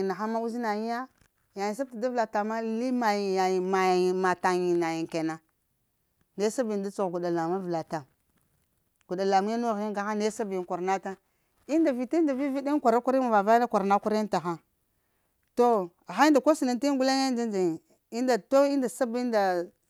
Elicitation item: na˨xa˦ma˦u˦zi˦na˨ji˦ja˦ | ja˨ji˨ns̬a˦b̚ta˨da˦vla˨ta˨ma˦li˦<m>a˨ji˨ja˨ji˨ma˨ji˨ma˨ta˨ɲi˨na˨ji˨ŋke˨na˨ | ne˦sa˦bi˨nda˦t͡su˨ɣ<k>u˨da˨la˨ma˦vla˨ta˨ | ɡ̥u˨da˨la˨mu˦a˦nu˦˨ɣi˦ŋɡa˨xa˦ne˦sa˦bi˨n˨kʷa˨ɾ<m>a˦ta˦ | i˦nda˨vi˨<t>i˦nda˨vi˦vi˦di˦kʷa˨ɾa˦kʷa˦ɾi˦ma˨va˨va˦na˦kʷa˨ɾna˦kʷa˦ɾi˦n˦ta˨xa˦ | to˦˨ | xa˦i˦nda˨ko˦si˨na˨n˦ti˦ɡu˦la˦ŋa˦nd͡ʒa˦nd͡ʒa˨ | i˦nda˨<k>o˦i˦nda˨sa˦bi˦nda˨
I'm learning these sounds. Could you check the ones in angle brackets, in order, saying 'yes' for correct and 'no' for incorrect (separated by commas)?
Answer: yes, no, no, yes, no